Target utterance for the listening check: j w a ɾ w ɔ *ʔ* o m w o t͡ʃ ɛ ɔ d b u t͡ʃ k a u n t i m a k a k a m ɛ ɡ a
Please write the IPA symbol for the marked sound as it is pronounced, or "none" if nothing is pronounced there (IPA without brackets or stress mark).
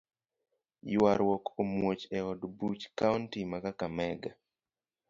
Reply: k